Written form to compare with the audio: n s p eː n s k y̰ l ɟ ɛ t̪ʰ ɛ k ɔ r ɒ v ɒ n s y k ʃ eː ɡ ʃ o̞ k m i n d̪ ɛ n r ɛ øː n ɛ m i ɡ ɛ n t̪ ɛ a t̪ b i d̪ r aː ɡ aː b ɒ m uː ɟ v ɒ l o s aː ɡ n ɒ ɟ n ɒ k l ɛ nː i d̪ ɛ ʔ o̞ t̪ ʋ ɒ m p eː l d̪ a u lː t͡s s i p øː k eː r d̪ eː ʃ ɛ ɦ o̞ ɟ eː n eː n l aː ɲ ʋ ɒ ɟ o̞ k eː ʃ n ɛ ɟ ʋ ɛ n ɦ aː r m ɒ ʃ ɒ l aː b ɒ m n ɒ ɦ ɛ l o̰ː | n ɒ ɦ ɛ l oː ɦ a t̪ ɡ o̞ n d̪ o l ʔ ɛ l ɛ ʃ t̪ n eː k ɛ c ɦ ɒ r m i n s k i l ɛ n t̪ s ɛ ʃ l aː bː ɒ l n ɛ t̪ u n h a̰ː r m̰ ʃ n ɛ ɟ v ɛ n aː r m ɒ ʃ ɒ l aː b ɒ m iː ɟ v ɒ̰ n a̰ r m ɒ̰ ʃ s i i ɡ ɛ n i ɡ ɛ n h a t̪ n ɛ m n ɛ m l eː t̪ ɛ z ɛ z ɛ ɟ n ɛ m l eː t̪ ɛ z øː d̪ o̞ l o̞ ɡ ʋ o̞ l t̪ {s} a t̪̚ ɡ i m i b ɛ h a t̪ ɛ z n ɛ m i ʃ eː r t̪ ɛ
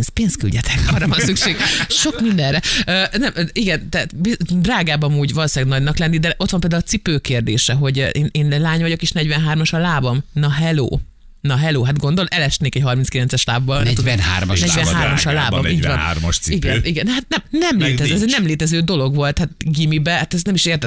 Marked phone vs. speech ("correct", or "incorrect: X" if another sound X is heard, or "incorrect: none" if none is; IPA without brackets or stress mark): incorrect: h